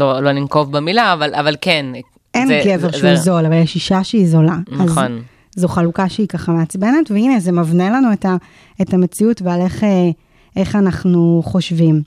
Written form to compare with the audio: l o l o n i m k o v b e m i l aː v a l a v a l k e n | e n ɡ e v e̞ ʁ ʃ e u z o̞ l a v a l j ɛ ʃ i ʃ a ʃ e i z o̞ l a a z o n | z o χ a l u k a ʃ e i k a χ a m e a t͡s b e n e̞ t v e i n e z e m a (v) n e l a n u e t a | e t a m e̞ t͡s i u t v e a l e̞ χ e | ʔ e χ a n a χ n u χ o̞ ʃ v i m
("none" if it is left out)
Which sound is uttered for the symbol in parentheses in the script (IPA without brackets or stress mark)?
v